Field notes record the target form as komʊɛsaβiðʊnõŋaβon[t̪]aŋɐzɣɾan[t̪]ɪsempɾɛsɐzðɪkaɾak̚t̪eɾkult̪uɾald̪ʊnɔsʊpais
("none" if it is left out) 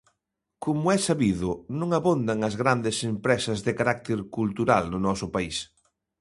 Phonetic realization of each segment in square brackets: d̪, d̪

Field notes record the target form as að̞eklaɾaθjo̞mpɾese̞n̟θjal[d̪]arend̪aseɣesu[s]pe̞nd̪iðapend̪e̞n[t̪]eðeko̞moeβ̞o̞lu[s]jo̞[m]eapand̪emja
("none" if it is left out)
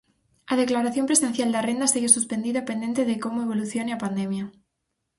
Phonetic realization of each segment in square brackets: d̪, s, t̪, θ, n

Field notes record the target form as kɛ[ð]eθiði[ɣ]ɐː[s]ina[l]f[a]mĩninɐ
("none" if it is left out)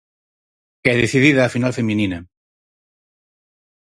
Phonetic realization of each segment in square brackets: ð, ð, f, l, e

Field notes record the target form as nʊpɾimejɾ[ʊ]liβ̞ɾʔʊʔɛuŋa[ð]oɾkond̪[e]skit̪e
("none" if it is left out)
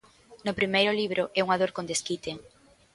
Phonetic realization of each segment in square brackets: ʊ, ð, e

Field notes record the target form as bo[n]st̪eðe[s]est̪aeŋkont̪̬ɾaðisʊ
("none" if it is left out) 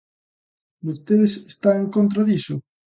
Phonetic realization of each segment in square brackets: none, s

